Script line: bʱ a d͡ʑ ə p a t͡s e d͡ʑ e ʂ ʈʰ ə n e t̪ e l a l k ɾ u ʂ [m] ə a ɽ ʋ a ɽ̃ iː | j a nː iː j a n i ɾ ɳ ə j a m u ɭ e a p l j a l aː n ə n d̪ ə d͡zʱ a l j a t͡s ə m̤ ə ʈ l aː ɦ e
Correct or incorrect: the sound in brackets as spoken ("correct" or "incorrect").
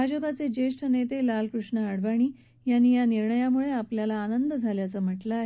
incorrect